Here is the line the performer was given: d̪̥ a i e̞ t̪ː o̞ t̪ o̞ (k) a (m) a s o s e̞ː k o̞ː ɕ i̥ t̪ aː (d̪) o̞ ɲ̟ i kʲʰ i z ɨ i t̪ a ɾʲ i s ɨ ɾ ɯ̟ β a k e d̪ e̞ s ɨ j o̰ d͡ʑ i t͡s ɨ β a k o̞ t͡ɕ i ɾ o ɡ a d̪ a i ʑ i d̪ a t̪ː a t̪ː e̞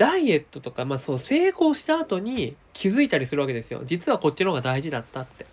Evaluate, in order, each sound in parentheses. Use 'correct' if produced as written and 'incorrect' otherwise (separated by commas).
correct, correct, incorrect